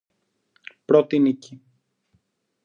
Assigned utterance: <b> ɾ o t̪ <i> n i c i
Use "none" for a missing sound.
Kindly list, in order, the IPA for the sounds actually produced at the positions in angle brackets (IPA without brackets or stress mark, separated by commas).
p, i